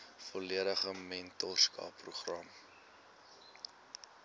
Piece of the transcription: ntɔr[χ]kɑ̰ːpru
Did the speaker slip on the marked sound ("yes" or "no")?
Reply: yes